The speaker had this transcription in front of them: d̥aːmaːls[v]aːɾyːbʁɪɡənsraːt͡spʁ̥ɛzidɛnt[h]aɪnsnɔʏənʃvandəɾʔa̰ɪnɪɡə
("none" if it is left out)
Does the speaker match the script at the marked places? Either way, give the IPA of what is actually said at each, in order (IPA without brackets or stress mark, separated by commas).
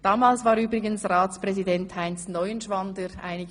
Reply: v, h